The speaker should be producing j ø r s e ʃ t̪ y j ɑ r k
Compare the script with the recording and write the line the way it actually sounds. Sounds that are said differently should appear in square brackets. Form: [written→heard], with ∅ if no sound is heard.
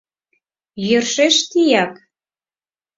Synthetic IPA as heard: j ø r [s→ʃ] e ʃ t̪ [y→i] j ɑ [r→∅] k